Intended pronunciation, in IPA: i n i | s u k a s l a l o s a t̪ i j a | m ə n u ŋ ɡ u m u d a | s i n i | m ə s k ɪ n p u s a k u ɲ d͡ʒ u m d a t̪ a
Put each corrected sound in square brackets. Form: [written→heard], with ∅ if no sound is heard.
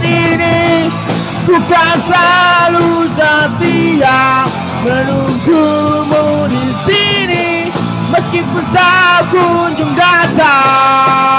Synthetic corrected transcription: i n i | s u k a s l a l [o→u] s a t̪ i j a | m ə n u ŋ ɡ u m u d [a→i] | s i n i | m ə s k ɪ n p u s a k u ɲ d͡ʒ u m d a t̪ a